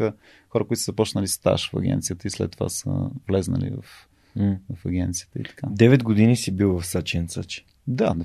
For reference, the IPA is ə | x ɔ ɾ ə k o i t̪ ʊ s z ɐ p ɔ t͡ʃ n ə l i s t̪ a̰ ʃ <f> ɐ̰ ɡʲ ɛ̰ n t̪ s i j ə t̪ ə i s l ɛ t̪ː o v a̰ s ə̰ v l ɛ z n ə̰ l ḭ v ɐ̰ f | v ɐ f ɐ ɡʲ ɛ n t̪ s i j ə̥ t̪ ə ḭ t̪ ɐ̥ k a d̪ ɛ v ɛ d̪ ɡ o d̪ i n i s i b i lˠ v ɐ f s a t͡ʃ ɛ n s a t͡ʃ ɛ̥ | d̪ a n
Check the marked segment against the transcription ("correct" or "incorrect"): correct